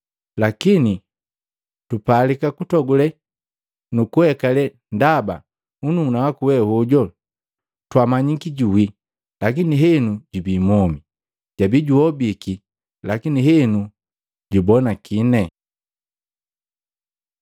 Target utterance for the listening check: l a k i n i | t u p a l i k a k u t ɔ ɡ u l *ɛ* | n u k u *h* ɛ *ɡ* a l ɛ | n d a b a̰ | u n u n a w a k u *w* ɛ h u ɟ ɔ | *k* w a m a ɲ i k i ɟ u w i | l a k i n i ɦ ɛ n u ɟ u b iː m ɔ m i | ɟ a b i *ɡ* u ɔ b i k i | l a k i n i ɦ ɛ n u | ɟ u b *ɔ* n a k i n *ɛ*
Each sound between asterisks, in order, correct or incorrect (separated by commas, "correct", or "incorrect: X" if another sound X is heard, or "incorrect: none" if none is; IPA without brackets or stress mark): correct, correct, incorrect: k, correct, incorrect: t, incorrect: ɟ, correct, correct